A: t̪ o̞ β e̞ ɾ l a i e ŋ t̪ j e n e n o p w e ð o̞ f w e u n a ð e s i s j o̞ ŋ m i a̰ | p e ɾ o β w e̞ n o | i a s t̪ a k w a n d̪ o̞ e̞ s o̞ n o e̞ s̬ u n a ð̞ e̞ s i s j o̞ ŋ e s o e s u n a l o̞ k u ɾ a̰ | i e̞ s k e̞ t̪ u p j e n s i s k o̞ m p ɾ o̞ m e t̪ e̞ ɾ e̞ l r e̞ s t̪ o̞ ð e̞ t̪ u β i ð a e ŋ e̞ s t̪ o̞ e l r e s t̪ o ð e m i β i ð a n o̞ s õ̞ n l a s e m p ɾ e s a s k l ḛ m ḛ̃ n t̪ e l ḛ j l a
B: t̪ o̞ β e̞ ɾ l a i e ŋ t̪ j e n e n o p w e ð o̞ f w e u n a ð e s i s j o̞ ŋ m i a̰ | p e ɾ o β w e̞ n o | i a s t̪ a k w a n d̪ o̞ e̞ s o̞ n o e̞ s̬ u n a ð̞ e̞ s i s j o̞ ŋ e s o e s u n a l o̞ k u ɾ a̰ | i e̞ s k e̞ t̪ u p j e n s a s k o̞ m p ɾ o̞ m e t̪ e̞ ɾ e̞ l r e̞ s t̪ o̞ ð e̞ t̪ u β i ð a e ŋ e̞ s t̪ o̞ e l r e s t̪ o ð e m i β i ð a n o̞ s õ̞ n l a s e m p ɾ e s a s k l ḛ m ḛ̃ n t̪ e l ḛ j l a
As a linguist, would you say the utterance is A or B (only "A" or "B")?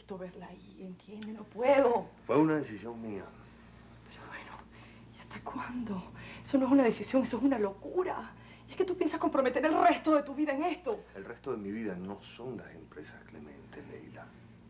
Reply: B